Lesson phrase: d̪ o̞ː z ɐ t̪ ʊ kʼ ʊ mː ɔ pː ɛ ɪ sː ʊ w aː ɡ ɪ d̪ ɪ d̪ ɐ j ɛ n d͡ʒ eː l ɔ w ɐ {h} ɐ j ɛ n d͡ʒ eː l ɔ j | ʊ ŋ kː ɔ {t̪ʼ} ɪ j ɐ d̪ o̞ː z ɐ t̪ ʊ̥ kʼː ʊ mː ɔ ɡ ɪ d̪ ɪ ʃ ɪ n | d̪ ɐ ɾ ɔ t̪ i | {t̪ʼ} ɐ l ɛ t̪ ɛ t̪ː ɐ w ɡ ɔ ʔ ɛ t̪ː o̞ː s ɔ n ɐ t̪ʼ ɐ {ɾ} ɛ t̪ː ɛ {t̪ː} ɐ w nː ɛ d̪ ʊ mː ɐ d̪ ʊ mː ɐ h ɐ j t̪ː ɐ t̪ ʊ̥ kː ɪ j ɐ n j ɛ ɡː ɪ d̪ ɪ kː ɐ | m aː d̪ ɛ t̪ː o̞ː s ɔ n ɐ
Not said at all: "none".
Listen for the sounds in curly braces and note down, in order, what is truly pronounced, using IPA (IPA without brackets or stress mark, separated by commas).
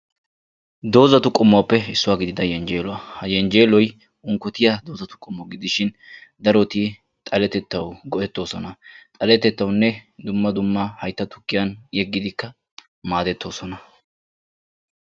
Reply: h, t̪, t̪ʼ, l, t̪ː